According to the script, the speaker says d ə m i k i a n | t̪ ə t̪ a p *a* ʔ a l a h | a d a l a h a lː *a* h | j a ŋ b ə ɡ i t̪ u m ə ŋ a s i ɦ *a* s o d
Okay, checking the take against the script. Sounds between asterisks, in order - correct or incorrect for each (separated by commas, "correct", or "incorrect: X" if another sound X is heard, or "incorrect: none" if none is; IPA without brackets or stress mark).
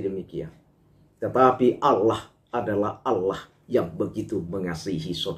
incorrect: i, correct, incorrect: i